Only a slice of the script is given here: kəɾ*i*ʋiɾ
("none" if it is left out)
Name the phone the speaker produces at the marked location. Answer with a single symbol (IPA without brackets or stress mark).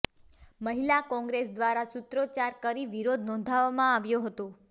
i